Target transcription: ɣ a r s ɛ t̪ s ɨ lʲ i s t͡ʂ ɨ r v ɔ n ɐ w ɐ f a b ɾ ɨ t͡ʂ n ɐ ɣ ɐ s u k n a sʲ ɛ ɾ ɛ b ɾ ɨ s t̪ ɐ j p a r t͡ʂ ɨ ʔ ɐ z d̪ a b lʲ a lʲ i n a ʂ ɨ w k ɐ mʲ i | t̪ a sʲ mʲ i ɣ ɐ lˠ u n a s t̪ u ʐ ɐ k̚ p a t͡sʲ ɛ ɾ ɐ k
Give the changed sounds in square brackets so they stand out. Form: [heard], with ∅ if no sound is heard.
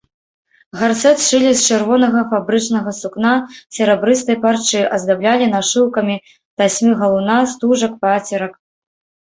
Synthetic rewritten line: ɣ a r s ɛ t̪ [ʂ] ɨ lʲ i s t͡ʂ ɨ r v ɔ n ɐ [ɣ] ɐ f a b ɾ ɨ t͡ʂ n ɐ ɣ ɐ s u k n a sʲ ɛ ɾ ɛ b ɾ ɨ s t̪ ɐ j p a r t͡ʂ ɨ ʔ ɐ z d̪ a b lʲ a lʲ i n a ʂ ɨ w k ɐ mʲ i | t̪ a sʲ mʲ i ɣ ɐ lˠ u n a s t̪ u ʐ ɐ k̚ p a t͡sʲ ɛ ɾ ɐ k